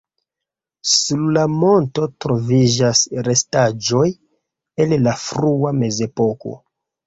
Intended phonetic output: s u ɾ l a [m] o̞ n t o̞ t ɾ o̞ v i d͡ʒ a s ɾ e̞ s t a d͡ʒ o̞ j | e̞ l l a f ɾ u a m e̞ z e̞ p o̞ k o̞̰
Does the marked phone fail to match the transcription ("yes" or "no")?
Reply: no